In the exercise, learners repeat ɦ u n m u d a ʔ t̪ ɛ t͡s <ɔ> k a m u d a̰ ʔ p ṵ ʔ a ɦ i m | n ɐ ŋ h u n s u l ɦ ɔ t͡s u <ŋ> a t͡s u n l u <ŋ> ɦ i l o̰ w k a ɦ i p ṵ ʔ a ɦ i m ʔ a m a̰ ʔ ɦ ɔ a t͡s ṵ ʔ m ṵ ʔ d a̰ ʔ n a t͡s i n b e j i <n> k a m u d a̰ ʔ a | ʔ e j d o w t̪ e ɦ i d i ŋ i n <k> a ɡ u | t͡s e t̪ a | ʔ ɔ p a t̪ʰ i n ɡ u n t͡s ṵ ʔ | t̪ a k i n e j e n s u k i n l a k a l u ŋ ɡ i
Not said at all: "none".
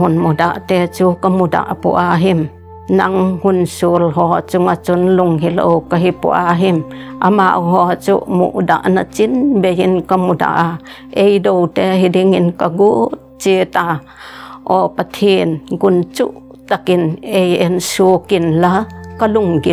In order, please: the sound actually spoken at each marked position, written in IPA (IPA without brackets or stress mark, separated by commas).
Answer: u, ŋ, ŋ, n, k